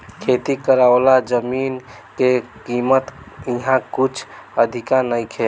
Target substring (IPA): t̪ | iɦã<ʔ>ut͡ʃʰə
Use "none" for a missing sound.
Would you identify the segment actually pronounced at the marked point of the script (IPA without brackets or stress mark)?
k